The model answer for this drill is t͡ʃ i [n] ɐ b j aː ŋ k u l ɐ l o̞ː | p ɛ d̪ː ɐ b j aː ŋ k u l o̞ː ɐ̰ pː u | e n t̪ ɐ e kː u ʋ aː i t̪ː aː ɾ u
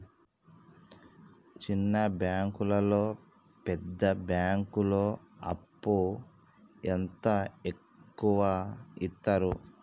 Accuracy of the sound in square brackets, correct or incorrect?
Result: incorrect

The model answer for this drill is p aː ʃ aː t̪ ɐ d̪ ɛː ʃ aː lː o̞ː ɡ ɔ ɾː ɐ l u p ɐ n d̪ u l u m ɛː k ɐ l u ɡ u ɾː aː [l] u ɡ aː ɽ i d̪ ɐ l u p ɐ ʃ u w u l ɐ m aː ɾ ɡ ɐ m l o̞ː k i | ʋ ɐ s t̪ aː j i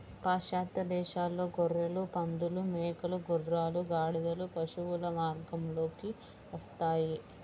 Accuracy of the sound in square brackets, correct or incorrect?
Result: correct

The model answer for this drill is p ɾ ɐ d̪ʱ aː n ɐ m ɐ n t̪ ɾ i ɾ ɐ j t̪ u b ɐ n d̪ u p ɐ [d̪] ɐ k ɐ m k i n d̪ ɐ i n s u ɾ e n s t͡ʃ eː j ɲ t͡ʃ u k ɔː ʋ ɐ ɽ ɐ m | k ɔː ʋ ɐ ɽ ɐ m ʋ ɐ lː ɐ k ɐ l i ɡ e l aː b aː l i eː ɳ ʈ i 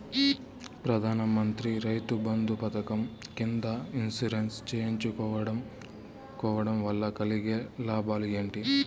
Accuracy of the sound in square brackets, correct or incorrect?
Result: incorrect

